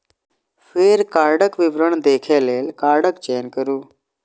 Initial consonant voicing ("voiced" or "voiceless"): voiceless